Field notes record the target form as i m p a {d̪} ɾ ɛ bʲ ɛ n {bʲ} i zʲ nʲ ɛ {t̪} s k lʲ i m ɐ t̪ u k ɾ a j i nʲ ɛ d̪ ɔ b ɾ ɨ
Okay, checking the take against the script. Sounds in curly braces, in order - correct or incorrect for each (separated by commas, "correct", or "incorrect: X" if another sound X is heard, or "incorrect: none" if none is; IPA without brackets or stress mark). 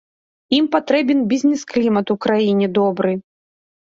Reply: incorrect: t̪, correct, incorrect: none